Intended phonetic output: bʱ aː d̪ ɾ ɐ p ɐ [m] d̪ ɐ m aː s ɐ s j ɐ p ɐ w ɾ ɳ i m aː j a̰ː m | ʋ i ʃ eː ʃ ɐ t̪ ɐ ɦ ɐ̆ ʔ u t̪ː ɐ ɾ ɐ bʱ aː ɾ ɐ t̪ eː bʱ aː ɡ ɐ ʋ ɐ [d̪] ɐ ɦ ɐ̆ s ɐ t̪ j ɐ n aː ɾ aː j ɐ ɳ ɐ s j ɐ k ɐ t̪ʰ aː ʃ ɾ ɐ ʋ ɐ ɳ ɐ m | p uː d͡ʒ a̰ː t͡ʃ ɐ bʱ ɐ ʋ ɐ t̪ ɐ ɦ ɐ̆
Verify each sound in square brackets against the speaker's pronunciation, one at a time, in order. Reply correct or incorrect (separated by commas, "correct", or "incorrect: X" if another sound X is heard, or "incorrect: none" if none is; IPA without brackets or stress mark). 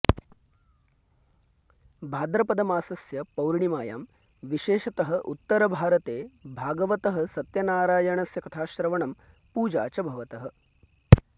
incorrect: none, incorrect: t̪